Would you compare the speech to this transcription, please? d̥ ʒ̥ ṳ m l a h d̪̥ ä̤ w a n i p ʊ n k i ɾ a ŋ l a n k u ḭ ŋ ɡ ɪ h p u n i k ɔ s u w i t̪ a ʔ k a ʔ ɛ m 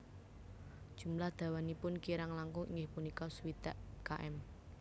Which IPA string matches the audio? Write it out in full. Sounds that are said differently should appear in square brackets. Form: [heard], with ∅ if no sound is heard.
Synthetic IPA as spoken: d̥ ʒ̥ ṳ m l a h d̪̥ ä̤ w a n i p ʊ n k i ɾ a ŋ l a [ŋ] k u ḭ ŋ ɡ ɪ h p u n i k ɔ s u w i t̪ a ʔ k a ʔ ɛ m